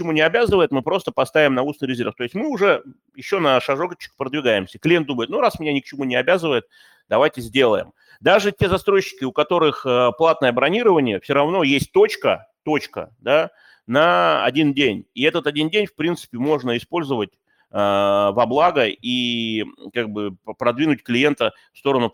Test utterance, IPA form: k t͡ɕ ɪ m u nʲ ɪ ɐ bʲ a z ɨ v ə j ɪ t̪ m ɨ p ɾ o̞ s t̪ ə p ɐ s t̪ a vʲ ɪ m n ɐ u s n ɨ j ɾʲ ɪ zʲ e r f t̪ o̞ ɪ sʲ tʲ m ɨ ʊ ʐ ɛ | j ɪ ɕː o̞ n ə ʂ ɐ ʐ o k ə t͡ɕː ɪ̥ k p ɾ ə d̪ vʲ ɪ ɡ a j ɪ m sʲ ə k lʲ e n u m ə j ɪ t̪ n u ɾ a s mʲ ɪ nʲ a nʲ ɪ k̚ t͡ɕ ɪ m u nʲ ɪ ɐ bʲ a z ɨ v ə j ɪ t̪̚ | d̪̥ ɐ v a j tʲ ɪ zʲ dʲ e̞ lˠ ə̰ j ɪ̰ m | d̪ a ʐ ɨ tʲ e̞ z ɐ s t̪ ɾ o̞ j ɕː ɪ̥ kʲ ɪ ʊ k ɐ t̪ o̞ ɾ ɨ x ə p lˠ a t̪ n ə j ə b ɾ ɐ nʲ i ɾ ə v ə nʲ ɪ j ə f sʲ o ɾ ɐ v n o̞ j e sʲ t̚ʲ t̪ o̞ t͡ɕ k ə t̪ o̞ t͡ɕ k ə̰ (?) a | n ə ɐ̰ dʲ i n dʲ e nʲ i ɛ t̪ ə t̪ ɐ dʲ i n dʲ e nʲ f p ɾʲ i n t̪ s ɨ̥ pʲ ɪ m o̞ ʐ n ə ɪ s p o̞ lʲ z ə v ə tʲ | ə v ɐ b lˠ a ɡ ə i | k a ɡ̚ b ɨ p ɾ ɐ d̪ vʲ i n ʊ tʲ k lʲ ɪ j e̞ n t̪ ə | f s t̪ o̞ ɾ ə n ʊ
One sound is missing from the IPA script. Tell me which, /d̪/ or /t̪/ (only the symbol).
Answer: d̪